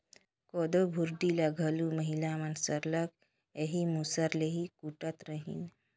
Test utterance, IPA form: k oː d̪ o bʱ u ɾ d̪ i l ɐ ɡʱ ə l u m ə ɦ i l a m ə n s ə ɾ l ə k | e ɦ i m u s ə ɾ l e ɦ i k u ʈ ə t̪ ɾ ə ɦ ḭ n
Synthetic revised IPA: k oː d̪ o bʱ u ɾ d̪ i l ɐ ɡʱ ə l u m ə ɦ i l a m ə n s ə ɾ l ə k | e ɦ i m u s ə ɾ l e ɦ i k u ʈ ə t̪ ɾ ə ɦ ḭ n